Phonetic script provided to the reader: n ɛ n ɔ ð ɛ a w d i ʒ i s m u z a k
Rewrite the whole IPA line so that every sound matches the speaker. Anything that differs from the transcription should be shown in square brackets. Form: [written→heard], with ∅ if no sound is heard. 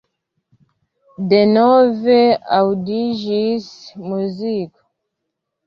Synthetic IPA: [n→d] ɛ n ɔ [ð→v] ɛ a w d i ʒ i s m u z [a→i] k